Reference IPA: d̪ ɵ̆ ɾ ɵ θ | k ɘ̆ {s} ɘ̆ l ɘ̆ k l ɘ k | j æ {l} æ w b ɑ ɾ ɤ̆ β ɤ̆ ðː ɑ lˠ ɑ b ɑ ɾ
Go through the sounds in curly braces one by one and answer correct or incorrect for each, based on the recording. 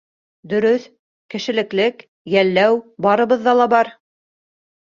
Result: incorrect: ʃ, incorrect: lː

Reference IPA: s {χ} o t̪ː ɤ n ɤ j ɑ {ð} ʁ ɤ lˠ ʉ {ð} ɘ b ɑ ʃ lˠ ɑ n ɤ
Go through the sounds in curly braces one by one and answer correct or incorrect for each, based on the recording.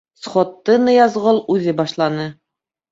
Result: correct, incorrect: z, correct

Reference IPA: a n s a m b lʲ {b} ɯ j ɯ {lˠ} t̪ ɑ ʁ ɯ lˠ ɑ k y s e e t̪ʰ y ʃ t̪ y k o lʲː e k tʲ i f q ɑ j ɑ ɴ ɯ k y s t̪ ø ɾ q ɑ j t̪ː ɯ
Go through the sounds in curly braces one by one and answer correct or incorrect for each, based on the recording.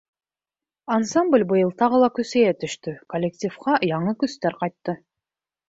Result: correct, correct

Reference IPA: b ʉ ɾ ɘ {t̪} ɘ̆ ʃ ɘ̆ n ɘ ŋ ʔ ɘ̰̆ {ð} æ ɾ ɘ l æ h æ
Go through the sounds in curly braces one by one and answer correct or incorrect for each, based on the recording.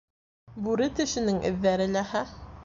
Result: correct, incorrect: ðː

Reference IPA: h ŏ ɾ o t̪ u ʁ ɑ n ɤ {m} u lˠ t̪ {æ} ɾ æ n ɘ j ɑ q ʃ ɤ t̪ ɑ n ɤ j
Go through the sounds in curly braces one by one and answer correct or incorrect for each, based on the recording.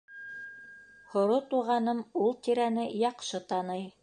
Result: correct, incorrect: i

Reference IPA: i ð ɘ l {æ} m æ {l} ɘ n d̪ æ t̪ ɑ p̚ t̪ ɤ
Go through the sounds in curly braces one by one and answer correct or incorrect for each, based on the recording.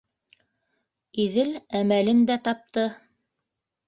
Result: correct, correct

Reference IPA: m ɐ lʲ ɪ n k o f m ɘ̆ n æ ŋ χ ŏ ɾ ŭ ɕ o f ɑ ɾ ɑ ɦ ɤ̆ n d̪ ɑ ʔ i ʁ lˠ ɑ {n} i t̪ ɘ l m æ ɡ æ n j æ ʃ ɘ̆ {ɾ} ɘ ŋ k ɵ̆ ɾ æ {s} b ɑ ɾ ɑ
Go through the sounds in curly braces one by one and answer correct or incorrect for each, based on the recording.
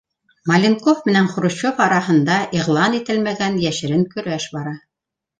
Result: correct, correct, incorrect: ʃ

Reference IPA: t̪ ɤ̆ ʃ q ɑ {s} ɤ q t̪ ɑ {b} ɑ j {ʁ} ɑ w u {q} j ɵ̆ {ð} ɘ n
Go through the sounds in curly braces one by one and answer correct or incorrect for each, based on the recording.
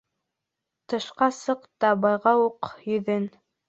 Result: correct, correct, correct, correct, correct

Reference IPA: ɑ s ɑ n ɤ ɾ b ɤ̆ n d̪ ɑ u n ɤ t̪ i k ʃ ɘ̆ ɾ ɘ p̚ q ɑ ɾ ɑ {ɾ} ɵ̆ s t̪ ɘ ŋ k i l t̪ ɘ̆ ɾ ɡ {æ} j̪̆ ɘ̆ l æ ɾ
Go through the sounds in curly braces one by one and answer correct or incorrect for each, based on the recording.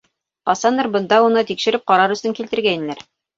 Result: correct, correct

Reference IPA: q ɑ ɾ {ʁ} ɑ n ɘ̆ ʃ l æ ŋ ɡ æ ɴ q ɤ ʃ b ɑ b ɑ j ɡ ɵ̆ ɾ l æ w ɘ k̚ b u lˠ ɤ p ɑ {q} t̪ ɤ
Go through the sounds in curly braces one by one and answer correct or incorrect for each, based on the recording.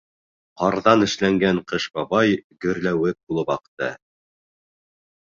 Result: incorrect: ð, correct

